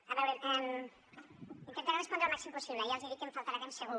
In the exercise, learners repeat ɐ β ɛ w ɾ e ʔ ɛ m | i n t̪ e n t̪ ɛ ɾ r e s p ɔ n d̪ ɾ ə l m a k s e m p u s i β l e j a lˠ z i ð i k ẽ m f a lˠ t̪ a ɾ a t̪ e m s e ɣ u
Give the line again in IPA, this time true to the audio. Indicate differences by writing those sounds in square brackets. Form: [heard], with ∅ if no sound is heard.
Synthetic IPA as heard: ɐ β ɛ w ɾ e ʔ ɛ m | i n t̪ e n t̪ [a] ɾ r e s p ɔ n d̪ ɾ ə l m a k s [i] m p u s i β l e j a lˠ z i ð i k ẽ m f a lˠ t̪ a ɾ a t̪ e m s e ɣ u